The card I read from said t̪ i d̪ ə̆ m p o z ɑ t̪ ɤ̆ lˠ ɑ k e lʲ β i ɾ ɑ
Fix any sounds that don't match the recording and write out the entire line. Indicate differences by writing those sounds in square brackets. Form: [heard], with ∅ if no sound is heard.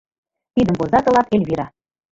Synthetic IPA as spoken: t̪ i d̪ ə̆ m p o z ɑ t̪ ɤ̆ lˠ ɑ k e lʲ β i ɾ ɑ